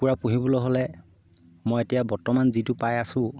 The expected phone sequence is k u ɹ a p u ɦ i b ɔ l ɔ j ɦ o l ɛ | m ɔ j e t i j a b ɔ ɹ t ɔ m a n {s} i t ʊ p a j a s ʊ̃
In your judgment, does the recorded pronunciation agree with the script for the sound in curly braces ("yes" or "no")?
no